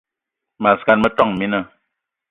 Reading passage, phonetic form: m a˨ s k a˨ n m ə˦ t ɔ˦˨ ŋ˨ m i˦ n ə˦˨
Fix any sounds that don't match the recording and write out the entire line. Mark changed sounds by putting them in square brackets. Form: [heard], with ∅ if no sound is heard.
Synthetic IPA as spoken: m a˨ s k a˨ n m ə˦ t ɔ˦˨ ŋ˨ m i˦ n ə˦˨